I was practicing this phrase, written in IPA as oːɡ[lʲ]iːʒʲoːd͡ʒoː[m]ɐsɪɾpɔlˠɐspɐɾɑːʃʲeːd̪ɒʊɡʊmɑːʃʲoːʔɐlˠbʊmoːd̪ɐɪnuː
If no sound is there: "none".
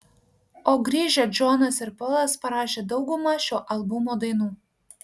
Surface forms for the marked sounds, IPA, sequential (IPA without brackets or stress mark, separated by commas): ɾʲ, n